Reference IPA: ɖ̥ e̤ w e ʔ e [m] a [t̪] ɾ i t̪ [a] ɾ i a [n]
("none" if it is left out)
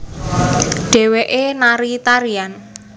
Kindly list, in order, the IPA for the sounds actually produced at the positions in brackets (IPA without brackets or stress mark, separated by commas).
n, none, a, n